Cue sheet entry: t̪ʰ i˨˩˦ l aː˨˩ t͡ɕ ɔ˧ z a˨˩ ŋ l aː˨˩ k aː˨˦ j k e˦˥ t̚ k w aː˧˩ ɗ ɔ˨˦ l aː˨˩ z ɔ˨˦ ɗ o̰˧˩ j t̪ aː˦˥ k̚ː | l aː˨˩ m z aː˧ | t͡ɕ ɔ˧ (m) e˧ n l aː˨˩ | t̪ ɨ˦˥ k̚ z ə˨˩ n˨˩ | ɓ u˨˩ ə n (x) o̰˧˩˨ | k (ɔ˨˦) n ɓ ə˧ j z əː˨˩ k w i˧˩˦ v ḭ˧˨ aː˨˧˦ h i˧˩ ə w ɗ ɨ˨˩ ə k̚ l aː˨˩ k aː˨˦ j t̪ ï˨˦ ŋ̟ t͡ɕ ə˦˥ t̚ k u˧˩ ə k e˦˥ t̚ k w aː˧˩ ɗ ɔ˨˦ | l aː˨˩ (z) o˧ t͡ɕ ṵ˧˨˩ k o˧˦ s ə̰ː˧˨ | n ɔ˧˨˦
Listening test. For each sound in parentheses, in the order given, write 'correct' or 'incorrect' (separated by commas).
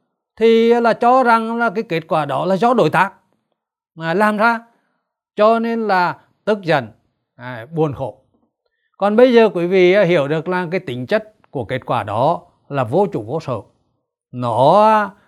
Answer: incorrect, correct, incorrect, incorrect